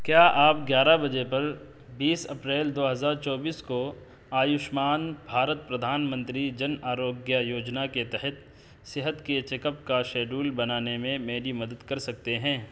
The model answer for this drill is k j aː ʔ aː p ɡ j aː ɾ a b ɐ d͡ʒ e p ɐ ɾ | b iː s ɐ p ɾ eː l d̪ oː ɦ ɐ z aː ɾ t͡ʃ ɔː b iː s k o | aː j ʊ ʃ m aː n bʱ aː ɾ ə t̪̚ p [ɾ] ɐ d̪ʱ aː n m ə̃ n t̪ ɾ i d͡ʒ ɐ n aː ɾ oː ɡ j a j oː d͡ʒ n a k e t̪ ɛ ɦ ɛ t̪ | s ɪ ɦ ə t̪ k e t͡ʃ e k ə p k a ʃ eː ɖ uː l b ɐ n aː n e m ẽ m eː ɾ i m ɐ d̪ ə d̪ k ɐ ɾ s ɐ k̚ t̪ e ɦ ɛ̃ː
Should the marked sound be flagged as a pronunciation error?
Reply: no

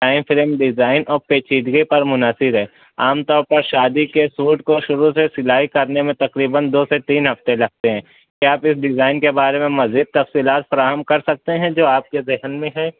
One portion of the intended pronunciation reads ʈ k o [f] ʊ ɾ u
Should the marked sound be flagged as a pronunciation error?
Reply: yes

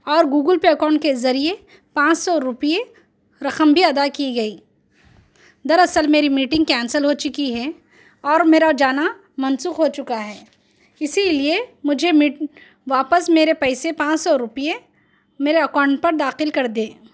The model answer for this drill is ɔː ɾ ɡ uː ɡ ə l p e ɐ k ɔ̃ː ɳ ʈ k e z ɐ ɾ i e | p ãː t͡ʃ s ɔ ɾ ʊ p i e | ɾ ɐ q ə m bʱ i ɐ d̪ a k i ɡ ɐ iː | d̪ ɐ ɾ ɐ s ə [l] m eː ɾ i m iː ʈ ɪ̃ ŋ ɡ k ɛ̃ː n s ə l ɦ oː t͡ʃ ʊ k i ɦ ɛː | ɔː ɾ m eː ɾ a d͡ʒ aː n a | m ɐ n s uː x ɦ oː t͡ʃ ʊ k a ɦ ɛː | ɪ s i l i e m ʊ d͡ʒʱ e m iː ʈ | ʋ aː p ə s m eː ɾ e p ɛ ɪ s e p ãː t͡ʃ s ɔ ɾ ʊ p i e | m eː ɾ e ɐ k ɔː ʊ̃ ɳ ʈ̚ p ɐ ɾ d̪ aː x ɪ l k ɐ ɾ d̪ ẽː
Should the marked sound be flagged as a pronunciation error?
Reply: no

